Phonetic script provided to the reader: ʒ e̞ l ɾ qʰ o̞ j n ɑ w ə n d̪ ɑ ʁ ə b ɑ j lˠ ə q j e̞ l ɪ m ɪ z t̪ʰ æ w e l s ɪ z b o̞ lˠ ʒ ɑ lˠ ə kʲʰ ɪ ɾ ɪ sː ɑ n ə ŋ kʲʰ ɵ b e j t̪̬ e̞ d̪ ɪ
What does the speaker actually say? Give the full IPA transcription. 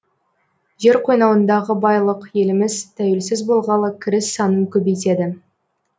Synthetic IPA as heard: ʒ e̞ ɾ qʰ o̞ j n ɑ w ə n d̪ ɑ ʁ ə b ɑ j lˠ ə q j e̞ l ɪ m ɪ z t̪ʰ æ w e l s ɪ z b o̞ lˠ ʁ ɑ lˠ ə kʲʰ ɪ ɾ ɪ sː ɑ n ə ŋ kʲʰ ɵ b e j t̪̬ e̞ d̪ ɪ